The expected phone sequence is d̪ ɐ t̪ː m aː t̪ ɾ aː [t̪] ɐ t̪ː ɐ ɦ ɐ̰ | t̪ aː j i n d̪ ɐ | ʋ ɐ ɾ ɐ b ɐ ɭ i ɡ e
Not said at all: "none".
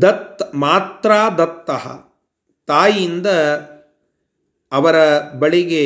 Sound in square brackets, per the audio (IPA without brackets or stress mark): d̪